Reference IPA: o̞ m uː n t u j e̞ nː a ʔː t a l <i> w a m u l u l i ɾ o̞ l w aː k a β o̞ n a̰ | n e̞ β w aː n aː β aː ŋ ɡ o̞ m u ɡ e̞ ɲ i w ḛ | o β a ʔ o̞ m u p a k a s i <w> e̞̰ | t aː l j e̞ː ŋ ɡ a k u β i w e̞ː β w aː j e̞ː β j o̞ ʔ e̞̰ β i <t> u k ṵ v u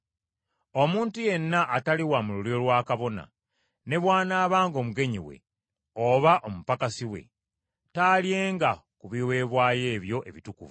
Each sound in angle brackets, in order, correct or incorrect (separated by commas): correct, correct, correct